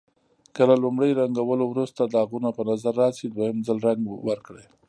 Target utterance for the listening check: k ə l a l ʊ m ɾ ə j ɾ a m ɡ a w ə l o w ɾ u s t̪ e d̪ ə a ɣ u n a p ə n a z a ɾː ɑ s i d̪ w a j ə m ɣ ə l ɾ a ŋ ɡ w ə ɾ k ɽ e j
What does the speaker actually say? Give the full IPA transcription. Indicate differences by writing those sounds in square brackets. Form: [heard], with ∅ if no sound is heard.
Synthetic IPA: k ə l a l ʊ m [ɽ] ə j ɾ a [ŋ] ɡ a w ə l o w ɾ u s t̪ [a] d̪ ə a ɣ u n a p ə n a z a ɾː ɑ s i d̪ w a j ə m [z] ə l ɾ a ŋ ɡ w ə ɾ k ɽ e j